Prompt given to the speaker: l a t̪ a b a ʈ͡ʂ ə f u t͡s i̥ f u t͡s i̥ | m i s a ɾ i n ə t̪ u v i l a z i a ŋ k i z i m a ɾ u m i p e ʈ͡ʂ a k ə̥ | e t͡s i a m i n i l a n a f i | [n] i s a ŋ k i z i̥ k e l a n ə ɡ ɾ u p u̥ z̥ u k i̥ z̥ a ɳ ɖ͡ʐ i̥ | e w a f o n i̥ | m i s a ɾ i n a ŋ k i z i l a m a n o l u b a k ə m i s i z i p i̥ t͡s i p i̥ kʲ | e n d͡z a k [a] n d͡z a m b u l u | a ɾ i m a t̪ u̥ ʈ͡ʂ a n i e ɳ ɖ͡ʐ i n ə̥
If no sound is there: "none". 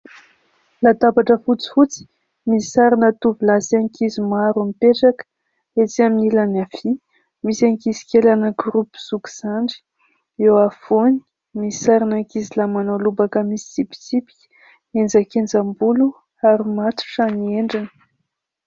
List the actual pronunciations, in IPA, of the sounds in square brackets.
m, e

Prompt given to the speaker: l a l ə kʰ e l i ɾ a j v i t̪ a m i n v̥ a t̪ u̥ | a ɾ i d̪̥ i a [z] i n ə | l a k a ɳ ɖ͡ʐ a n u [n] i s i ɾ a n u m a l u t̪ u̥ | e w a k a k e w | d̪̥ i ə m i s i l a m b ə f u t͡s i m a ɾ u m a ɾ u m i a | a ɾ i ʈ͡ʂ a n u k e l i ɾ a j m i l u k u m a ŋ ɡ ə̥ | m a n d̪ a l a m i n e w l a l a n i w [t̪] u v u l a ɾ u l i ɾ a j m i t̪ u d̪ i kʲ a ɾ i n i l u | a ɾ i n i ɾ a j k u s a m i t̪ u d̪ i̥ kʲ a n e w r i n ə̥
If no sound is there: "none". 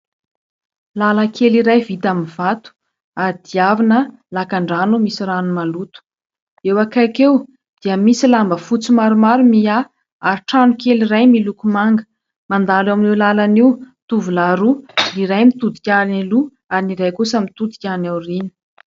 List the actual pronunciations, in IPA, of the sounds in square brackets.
v, m, t̪

